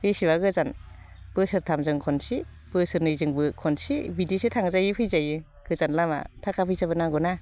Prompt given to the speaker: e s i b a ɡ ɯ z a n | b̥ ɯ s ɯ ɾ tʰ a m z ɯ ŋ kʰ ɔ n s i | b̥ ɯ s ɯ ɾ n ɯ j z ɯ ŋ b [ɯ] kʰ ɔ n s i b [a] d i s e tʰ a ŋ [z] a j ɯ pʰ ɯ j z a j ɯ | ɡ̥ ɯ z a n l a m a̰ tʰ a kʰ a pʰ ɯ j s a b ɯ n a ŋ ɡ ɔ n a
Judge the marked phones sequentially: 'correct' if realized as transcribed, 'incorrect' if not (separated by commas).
correct, incorrect, correct